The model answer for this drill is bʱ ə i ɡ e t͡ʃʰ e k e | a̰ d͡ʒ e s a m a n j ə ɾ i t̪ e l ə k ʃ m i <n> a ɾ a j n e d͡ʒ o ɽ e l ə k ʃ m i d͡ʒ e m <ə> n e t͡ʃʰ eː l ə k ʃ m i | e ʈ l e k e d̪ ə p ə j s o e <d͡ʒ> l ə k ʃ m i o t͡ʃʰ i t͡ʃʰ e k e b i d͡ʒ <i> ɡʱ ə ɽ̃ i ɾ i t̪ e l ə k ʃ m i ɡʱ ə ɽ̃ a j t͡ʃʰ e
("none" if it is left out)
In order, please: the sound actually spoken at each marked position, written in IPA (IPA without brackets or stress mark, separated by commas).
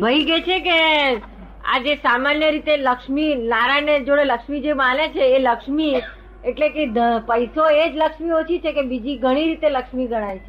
n, a, d͡ʒ, i